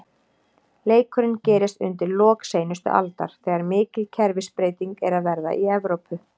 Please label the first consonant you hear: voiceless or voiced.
voiced